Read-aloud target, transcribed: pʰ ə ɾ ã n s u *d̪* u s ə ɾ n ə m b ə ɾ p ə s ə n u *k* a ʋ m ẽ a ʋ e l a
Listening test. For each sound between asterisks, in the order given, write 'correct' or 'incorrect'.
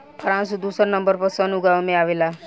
correct, incorrect

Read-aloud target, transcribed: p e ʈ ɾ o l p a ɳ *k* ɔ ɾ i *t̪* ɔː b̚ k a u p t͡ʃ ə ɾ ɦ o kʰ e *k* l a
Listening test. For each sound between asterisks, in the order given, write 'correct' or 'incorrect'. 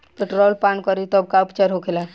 correct, correct, incorrect

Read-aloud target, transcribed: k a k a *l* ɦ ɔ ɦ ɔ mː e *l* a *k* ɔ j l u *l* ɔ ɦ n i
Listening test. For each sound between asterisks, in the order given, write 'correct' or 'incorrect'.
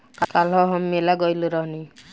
correct, correct, incorrect, incorrect

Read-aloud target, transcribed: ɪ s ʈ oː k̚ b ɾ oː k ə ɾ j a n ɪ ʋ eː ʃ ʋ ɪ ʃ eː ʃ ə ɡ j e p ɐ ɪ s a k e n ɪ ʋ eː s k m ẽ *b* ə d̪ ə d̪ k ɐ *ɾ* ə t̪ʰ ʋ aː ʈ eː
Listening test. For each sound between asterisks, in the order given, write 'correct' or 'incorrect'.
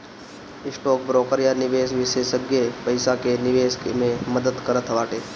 incorrect, correct

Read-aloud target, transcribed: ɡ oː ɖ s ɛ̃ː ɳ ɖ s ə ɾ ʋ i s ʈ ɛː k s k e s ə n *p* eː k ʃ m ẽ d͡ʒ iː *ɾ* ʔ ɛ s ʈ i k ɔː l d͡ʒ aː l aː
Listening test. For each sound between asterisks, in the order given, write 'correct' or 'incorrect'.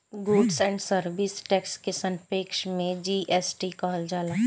correct, incorrect

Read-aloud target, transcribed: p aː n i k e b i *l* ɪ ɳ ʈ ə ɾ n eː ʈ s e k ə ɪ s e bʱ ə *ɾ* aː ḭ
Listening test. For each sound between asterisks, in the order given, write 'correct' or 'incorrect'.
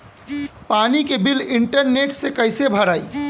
correct, correct

